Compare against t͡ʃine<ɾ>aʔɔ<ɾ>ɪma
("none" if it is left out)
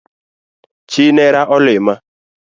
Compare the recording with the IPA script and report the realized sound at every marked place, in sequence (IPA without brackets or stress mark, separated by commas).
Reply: ɾ, l